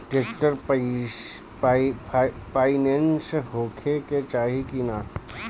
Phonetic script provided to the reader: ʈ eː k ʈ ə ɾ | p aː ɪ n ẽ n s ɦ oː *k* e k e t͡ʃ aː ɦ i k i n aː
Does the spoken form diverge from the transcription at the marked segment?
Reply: yes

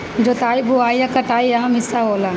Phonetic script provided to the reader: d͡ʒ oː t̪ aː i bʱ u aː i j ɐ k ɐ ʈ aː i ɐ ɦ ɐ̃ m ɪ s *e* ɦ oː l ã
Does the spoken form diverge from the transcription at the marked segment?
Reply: yes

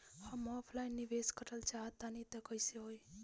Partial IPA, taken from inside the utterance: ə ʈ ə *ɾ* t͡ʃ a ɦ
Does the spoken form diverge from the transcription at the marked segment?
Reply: yes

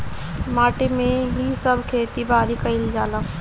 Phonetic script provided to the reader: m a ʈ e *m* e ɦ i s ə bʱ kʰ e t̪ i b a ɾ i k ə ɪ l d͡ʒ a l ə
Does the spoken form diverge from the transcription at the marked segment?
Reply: no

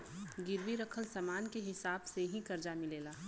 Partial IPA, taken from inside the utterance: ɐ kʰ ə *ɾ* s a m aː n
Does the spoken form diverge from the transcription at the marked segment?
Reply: yes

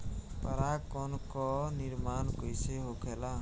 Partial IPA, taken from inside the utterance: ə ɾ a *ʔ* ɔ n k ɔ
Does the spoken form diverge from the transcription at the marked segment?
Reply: yes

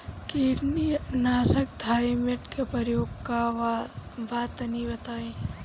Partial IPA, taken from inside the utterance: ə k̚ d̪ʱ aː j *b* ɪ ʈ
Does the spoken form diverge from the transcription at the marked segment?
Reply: yes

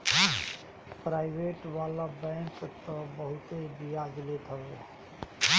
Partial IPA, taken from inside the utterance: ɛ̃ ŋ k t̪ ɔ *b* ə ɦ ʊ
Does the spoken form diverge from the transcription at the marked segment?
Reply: no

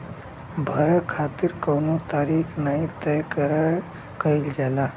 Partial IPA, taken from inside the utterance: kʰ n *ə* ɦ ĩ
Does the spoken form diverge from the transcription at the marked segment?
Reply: yes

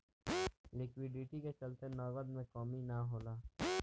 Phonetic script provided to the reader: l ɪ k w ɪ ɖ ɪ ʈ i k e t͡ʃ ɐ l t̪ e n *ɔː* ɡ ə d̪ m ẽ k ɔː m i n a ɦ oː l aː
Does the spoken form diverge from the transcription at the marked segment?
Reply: no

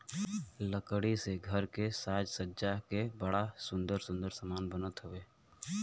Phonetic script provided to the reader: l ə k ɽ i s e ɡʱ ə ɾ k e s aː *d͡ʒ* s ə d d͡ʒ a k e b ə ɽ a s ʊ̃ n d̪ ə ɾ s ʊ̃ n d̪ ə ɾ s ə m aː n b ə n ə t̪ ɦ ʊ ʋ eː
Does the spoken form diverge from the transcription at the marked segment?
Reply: no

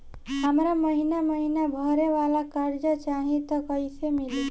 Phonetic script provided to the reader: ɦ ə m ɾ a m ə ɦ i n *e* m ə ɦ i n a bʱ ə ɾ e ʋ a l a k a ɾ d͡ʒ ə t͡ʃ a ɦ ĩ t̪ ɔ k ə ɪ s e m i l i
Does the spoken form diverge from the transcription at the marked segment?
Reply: yes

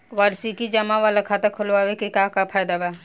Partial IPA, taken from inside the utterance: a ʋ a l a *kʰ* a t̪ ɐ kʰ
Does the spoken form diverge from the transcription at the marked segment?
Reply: no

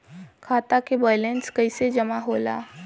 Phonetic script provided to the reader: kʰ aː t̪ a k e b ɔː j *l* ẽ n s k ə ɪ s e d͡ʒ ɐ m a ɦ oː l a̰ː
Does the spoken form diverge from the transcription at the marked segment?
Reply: no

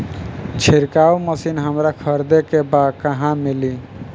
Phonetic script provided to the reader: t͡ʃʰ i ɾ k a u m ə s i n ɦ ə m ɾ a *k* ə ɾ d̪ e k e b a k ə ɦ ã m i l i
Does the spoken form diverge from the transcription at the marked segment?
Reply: yes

